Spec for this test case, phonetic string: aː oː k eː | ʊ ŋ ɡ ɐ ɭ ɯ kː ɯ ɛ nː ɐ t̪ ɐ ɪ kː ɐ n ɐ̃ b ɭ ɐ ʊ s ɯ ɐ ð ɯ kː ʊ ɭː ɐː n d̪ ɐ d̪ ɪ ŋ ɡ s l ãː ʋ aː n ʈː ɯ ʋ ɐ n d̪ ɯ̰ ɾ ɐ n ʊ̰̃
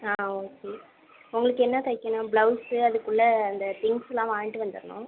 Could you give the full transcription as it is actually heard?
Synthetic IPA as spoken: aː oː k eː | ʊ ŋ ɡ ɐ ɭ ɯ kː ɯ ɛ nː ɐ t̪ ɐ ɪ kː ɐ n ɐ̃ b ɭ ɐ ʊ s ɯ ɐ ð ɯ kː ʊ ɭː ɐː n d̪ ɐ t̪ ɪ ŋ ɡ s l ãː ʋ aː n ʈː ɯ ʋ ɐ n d̪ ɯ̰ ɾ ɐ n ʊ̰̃